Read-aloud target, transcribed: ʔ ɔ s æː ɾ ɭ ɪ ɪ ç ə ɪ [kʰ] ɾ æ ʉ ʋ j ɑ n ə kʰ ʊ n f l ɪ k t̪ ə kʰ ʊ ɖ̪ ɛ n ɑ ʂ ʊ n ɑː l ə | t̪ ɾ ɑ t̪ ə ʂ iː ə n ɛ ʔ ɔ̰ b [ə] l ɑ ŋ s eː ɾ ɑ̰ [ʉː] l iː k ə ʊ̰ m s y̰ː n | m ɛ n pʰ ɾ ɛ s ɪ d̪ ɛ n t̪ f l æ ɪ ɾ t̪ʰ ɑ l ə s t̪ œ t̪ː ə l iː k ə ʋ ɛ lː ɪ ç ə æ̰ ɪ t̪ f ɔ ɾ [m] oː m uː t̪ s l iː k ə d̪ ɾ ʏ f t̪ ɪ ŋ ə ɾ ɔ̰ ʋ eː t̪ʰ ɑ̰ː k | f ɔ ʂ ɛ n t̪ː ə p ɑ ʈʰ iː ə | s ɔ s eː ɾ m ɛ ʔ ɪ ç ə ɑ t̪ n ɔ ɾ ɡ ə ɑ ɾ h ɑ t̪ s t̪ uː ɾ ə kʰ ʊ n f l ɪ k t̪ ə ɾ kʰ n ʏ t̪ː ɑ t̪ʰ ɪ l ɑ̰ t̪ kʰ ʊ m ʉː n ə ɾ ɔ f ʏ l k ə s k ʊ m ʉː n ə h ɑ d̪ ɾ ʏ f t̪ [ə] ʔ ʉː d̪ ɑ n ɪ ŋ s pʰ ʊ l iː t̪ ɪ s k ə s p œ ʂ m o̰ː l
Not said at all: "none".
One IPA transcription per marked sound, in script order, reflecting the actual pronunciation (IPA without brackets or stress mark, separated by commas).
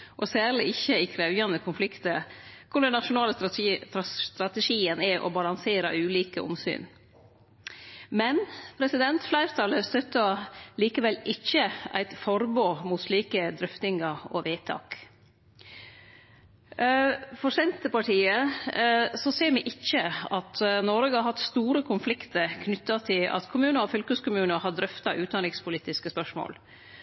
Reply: kʰ, ɑ, ʉː, b, ɑ